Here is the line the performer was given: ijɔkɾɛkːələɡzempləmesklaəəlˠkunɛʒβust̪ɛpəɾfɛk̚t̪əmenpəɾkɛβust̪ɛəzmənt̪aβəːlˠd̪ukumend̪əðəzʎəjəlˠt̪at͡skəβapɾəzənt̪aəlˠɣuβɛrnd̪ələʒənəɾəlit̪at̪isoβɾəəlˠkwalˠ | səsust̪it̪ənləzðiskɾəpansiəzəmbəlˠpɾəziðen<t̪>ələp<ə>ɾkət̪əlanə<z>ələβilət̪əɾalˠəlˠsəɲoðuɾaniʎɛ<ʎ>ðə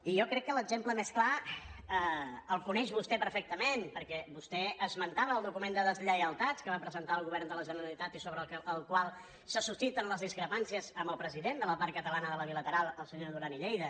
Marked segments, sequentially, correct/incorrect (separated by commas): incorrect, incorrect, incorrect, incorrect